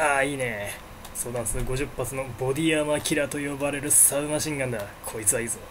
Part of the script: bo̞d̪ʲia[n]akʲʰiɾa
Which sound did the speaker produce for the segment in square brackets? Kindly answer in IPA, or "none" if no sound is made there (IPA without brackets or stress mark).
m